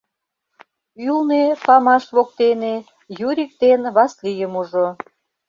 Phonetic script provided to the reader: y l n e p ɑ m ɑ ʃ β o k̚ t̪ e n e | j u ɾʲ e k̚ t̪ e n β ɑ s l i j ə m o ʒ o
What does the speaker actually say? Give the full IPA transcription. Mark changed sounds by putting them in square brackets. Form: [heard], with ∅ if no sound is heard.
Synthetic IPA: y l n e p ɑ m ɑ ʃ β o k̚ t̪ e n e | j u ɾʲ [i] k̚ t̪ e n β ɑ s l i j ə m [u] ʒ o